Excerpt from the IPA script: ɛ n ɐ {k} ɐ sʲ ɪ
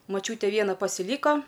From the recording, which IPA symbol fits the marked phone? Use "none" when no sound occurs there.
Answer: p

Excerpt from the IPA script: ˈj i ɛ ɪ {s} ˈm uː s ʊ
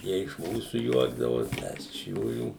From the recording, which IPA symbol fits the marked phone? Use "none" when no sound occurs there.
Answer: ʃ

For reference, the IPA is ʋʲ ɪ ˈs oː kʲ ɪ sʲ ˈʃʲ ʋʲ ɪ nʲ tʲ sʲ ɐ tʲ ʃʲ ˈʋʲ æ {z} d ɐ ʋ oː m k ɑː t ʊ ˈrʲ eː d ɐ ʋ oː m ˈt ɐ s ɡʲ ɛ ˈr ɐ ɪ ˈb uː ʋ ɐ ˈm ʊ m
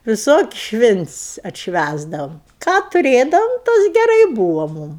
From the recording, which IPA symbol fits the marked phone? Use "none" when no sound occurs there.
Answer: z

